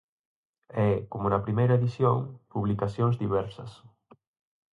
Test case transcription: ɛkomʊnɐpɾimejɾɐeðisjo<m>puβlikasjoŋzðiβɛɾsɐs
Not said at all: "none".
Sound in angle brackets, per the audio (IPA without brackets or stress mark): ŋ